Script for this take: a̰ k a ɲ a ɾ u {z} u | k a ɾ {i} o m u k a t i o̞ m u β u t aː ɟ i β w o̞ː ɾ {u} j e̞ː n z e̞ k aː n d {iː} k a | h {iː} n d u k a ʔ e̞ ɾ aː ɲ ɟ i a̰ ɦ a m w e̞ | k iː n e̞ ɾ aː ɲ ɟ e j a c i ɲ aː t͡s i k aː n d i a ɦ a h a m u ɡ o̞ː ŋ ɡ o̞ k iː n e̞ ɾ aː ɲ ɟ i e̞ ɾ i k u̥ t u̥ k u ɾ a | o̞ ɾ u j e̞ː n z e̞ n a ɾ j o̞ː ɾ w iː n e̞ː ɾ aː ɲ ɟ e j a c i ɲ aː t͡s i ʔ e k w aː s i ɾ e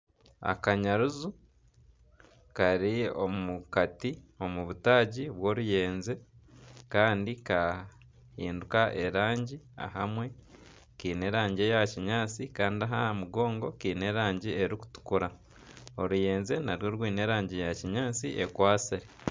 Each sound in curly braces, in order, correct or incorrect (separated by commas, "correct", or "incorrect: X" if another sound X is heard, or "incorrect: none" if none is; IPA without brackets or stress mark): correct, correct, correct, incorrect: i, correct